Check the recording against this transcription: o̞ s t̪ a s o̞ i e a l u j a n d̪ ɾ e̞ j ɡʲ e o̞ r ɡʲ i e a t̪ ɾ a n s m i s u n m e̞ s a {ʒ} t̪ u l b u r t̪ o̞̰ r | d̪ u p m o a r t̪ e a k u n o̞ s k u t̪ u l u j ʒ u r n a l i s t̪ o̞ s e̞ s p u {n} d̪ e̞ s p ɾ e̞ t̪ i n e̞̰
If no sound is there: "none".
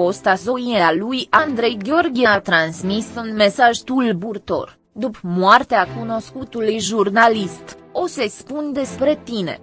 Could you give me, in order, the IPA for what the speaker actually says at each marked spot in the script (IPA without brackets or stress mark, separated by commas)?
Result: ʒ, n